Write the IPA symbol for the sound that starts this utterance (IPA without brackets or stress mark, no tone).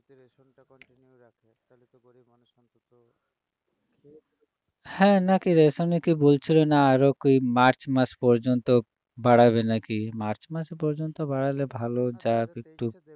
h